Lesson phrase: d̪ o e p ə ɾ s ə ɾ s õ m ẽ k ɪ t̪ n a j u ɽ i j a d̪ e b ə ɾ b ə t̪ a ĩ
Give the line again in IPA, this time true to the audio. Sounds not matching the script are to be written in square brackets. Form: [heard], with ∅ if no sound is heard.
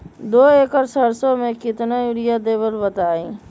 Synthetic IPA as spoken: d̪ o e [k] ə ɾ s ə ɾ s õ m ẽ k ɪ t̪ n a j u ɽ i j a d̪ e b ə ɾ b ə t̪ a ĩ

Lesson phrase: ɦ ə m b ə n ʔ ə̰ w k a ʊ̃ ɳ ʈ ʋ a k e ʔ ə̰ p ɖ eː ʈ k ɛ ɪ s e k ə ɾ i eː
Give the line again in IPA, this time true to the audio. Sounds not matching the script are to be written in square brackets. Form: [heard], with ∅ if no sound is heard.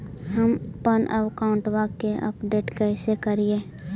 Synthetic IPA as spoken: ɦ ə m [p] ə n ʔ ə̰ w k a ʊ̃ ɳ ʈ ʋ a k e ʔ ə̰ p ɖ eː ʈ k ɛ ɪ s e k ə ɾ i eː

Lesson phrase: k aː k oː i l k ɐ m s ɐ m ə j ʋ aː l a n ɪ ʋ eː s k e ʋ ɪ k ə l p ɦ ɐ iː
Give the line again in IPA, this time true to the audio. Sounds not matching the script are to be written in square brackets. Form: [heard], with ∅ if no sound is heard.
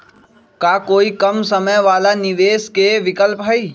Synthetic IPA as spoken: k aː k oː i [∅] k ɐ m s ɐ m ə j ʋ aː l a n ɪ ʋ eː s k e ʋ ɪ k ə l p ɦ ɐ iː

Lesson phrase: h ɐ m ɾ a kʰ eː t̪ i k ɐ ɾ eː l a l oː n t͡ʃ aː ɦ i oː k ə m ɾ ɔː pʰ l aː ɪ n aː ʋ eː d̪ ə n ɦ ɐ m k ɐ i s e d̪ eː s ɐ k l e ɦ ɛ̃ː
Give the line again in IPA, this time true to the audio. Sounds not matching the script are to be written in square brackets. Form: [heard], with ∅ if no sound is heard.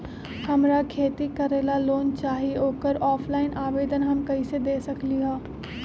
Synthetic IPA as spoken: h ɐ m ɾ a kʰ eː t̪ i k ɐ ɾ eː l a l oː n t͡ʃ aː ɦ i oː k ə [∅] ɾ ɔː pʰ l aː ɪ n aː ʋ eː d̪ ə n ɦ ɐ m k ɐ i s e d̪ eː s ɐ k l [i] ɦ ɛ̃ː

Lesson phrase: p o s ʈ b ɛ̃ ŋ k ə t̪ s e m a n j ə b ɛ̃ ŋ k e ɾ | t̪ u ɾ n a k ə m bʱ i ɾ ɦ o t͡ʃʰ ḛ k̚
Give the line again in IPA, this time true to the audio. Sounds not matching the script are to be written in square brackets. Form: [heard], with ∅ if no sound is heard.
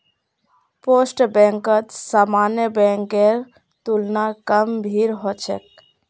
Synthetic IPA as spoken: p o s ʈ b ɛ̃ ŋ k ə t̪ s [a] m a n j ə b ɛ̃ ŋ k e ɾ | t̪ u [l] n a k ə m bʱ i ɾ ɦ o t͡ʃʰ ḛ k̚

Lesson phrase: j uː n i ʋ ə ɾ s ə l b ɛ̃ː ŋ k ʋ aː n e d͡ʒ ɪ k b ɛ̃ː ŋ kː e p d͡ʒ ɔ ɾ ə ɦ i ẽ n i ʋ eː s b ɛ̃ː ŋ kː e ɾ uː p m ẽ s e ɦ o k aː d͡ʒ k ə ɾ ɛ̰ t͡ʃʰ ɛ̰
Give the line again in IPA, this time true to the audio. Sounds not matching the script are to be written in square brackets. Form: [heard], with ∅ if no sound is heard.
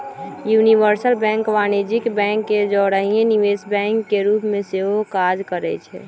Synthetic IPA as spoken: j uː n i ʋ ə ɾ s ə l b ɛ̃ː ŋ k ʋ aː n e d͡ʒ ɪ k b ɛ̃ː ŋ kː e [∅] d͡ʒ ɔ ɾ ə ɦ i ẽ n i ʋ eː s b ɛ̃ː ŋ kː e ɾ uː p m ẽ s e ɦ o k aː d͡ʒ k ə ɾ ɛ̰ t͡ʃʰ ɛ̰

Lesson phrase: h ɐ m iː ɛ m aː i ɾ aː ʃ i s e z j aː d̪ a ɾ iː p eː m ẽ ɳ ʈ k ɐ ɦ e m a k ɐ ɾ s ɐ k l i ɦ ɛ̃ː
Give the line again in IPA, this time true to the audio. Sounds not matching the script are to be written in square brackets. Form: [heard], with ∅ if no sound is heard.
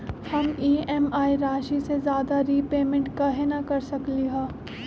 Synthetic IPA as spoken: h ɐ m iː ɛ m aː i ɾ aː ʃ i s e z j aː d̪ a ɾ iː p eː m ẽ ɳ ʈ k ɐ ɦ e [n] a k ɐ ɾ s ɐ k l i ɦ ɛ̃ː

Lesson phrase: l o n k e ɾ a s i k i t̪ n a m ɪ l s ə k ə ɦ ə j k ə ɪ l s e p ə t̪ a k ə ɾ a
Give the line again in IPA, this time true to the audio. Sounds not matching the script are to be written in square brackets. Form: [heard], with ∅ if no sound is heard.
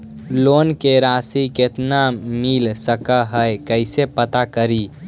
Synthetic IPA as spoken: l o n k e ɾ a s i k [e] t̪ n a m [i] l s ə k ə ɦ ə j k ə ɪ [∅] s e p ə t̪ a k ə ɾ [i]

